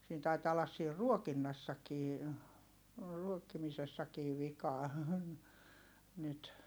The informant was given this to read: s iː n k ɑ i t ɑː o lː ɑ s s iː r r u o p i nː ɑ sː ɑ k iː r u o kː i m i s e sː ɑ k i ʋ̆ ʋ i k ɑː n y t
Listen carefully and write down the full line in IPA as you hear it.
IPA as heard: s iː n t ɑ i t ɑː o lː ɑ s s iː r r u o k i nː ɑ sː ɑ k iː r u o kː i m i s e sː ɑ k iː ʋ̆ ʋ i k ɑː n y t